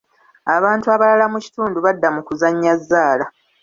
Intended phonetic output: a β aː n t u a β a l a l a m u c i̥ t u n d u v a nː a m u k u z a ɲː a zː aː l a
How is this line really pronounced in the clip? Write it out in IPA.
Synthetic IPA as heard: a β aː n t u a β a l a l a m u c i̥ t uː n d u β a dː a m u k u z a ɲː a zː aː l a